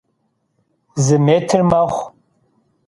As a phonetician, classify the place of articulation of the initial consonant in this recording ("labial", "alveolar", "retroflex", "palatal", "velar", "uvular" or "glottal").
alveolar